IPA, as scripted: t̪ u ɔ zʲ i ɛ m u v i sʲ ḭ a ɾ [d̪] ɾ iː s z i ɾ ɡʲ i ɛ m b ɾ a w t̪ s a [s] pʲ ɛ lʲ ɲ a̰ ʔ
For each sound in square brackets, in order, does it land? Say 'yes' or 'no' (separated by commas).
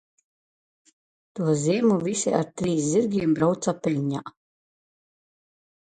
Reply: no, no